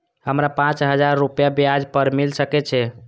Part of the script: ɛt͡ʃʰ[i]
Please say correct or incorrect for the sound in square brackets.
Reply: incorrect